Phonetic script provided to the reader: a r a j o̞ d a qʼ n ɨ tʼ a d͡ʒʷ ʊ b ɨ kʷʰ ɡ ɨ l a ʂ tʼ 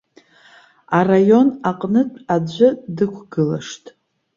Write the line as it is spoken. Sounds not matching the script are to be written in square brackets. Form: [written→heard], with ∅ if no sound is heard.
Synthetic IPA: a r a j o̞ [d→n] a qʼ n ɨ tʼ a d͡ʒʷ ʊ [b→d] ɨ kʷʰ ɡ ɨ l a ʂ tʼ